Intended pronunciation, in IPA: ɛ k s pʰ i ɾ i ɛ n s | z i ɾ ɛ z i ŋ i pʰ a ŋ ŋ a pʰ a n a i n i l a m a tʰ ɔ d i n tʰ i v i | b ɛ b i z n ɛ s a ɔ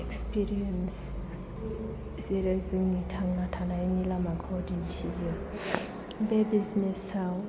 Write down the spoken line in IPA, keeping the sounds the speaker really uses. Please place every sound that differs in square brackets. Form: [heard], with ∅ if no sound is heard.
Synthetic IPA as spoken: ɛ k s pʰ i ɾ i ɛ n s | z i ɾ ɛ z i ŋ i [tʰ] a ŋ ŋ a [tʰ] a n a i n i l a m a [kʰ] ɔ d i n tʰ i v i | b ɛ b i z n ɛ s a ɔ